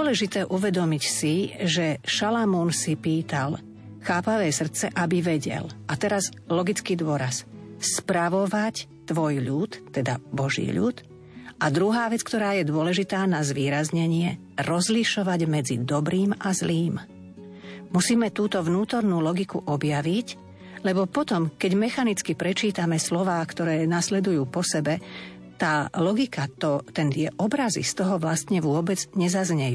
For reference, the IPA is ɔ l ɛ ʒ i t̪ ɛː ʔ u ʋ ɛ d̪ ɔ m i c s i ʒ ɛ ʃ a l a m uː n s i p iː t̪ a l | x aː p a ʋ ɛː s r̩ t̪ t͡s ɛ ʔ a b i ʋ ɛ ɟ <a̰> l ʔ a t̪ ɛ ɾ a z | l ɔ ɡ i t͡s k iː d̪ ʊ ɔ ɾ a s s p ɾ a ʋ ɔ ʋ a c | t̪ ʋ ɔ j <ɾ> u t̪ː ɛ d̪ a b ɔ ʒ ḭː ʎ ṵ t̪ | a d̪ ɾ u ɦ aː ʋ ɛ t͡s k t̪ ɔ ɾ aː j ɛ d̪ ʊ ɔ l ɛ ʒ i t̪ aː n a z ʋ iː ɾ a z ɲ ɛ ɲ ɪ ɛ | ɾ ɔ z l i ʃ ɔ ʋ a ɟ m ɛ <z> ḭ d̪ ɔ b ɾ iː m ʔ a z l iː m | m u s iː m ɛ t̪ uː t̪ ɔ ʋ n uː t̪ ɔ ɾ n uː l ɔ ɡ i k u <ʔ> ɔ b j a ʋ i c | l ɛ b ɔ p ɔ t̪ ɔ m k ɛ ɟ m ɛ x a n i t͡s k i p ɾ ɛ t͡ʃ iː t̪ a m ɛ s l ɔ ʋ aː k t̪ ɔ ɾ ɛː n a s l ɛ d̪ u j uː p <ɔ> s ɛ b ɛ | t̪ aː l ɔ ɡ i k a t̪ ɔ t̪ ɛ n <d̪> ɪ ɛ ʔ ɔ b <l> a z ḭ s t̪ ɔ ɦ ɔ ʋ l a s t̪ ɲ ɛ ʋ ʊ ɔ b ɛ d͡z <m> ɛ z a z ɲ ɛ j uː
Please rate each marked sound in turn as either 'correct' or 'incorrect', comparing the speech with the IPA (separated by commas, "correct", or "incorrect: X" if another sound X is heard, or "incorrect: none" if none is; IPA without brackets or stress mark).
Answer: incorrect: ɛ̰, incorrect: ʎ, incorrect: d͡z, correct, correct, incorrect: t̪, incorrect: ɾ, incorrect: ɲ